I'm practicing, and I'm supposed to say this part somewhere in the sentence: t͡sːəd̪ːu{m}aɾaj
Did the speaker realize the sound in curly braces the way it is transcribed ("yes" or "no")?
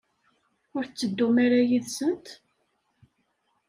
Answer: yes